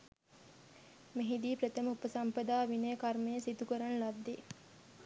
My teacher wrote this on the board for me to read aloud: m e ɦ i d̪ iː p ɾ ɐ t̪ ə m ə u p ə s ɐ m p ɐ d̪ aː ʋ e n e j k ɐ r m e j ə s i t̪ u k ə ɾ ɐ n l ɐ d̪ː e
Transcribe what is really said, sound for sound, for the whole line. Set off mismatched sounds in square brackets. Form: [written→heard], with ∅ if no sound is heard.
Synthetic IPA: m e ɦ i d̪ iː p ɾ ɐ t̪ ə m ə u p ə s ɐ m p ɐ d̪ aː ʋ [e→i] n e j k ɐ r m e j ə s i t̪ u k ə ɾ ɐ n l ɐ d̪ː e